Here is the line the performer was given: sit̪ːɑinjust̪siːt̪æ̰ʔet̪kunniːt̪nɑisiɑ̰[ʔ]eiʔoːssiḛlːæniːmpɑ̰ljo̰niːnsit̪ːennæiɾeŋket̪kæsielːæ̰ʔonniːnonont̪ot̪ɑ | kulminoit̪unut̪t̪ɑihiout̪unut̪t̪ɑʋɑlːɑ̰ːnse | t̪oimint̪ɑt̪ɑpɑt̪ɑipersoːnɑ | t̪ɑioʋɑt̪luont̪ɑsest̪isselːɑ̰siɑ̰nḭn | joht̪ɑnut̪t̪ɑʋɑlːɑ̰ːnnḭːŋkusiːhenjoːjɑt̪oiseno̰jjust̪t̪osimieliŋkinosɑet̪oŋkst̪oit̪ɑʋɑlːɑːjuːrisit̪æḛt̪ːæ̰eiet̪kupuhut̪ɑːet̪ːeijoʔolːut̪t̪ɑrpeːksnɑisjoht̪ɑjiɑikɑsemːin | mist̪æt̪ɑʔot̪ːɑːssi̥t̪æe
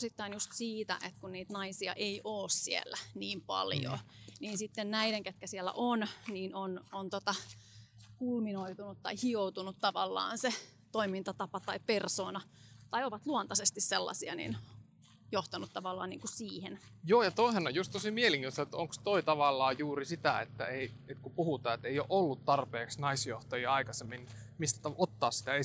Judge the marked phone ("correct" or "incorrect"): correct